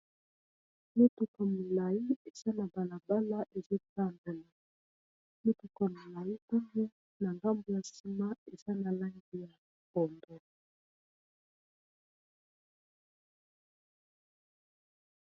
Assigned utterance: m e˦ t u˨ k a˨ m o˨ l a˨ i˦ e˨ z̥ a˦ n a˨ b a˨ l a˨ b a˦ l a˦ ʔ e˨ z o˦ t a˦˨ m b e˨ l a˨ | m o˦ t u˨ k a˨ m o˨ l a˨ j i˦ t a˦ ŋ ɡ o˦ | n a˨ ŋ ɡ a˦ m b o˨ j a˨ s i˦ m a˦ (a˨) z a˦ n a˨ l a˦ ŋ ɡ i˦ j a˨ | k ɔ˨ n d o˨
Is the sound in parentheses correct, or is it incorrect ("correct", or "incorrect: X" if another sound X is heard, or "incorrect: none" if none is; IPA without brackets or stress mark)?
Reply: incorrect: e˨